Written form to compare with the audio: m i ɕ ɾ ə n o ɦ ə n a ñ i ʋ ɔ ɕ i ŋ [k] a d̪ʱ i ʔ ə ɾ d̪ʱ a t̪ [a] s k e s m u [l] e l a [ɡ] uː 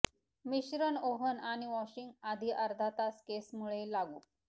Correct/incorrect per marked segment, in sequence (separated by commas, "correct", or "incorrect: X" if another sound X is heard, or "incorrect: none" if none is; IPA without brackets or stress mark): incorrect: ɡ, correct, incorrect: ɭ, correct